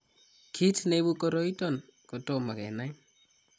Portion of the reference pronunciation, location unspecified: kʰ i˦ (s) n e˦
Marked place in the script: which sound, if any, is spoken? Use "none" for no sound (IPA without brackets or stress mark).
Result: t